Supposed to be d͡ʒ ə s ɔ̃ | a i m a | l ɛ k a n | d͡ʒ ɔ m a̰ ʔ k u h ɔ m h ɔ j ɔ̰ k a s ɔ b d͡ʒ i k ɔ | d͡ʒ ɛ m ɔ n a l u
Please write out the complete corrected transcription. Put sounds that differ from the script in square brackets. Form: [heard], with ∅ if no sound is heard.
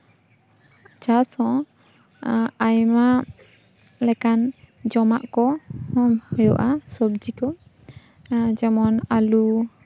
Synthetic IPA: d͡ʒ [a] s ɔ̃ | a [j] m a | l ɛ k a n | d͡ʒ ɔ m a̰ ʔ k [ɔ] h ɔ m h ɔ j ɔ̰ [ʔ] a s ɔ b d͡ʒ i k ɔ | d͡ʒ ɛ m ɔ n a l u